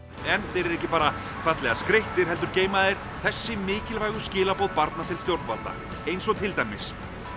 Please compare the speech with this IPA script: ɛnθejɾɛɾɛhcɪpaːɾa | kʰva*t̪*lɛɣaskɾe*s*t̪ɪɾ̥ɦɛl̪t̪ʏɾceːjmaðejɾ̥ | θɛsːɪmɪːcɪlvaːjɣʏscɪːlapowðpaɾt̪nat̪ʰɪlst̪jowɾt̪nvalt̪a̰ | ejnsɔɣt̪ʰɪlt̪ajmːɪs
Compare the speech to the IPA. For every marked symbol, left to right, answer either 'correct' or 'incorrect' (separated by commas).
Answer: correct, incorrect